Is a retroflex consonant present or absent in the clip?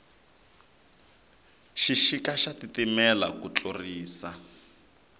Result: absent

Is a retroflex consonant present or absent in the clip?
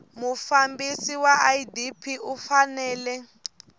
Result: absent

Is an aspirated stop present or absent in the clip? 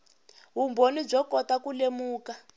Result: absent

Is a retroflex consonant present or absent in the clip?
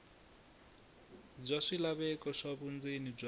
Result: present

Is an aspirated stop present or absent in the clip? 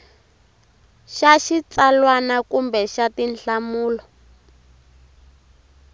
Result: absent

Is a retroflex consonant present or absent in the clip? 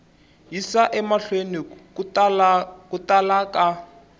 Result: absent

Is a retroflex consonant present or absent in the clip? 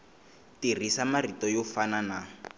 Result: absent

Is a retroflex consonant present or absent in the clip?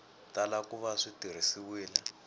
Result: present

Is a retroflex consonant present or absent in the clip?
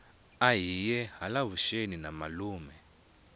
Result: absent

